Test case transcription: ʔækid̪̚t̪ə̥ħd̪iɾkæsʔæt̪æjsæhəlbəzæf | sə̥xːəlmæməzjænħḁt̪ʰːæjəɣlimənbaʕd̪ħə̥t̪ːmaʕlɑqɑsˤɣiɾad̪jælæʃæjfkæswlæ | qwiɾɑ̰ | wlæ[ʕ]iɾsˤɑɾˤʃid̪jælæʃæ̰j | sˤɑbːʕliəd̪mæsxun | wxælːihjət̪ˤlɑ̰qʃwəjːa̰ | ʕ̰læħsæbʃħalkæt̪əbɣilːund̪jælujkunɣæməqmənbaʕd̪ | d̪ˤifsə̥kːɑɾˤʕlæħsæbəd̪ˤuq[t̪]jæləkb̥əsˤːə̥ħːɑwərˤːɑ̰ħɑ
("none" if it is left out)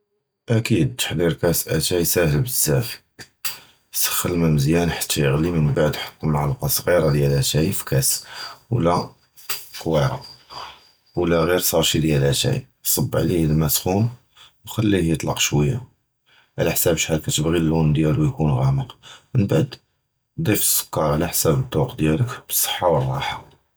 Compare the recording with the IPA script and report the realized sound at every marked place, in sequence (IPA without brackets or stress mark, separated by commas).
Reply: ɣ, d̪